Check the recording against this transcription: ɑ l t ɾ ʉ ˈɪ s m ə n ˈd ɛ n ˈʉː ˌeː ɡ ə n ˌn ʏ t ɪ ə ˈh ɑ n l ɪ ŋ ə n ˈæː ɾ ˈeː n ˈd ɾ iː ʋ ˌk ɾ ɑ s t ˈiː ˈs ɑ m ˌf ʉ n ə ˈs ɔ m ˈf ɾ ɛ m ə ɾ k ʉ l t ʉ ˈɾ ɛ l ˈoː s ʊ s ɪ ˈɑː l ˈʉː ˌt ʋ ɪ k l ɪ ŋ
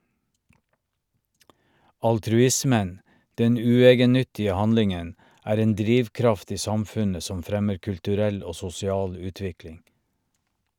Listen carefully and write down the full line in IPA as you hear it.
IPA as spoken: ɑ l t ɾ ʉ ˈɪ s m ə n ˈd ɛ n ˈʉː ˌeː ɡ ə n ˌn ʏ t ɪ ə ˈh ɑ n l ɪ ŋ ə n ˈæː ɾ ˈeː n ˈd ɾ iː ʋ ˌk ɾ ɑ f t ˈiː ˈs ɑ m ˌf ʉ n ə ˈs ɔ m ˈf ɾ ɛ m ə ɾ k ʉ l t ʉ ˈɾ ɛ l ˈoː s ʊ s ɪ ˈɑː l ˈʉː ˌt ʋ ɪ k l ɪ ŋ